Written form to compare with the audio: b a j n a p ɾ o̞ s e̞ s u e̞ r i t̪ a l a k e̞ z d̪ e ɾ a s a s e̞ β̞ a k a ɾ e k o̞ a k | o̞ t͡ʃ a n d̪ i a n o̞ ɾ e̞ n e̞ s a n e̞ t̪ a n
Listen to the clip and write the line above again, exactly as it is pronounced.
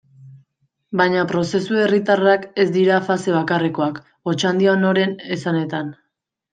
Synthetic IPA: b a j ɲ a p ɾ o̞ s e̞ s u e̞ r i t̪ a r a k e̞ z d̪ i ɾ a f a s e̞ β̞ a k a r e k o̞ a k | o̞ t͡ʃ a n d̪ i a n o̞ ɾ e̞ n e̞ s a n e̞ t̪ a n